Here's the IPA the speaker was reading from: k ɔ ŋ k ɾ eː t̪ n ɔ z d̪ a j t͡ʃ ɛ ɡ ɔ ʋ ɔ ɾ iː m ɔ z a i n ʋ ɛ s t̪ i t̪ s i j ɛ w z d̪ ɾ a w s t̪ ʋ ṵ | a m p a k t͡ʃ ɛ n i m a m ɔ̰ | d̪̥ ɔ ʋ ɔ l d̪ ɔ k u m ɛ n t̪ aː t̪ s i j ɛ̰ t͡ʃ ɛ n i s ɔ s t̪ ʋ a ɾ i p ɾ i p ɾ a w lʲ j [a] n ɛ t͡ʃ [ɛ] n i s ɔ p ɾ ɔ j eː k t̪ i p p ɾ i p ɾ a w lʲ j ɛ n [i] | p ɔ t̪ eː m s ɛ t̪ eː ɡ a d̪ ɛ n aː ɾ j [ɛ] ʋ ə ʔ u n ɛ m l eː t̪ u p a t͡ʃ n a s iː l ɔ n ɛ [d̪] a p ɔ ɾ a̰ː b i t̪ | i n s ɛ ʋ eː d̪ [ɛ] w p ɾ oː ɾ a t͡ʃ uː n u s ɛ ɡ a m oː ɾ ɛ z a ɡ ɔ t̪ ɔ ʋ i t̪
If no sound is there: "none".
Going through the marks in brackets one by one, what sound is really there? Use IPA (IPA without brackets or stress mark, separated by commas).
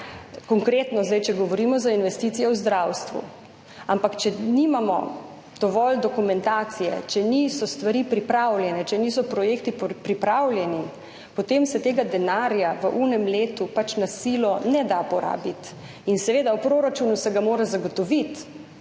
ɛ, ɛ, i, a, d̪, a